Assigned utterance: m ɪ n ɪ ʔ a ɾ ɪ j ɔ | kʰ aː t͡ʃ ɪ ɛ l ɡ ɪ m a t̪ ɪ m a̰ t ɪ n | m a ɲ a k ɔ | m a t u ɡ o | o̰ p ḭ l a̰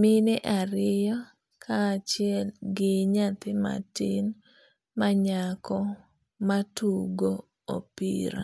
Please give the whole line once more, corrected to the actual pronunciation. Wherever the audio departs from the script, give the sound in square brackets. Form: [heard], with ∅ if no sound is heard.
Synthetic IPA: m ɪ n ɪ ʔ a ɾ ɪ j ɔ | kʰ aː t͡ʃ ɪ ɛ l ɡ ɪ [ɲ] a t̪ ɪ m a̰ t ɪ n | m a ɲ a k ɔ | m a t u ɡ o | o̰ p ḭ [ɾ] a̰